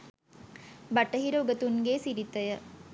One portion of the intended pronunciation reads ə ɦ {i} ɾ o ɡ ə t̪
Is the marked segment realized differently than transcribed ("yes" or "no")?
no